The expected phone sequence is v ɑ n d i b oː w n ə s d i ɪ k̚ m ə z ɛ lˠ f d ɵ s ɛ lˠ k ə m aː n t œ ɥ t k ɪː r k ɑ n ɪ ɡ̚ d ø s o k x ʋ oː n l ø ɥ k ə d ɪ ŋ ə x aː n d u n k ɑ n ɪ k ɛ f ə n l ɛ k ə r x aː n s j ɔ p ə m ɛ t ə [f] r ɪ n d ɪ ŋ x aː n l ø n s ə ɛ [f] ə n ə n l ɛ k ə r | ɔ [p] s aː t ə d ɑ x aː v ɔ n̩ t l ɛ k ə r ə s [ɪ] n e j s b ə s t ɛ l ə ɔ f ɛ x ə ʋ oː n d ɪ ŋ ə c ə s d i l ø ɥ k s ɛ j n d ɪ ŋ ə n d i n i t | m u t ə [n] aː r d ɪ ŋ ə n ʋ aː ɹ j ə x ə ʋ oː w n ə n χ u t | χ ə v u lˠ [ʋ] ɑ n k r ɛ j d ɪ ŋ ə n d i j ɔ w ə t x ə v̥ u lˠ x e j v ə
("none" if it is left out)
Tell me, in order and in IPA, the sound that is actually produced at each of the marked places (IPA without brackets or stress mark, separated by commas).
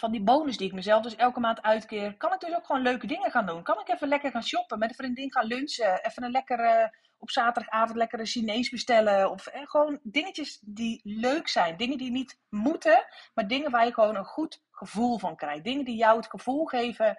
f, f, p, i, m, v